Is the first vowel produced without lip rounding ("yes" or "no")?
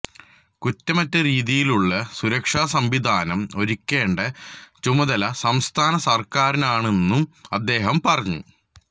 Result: no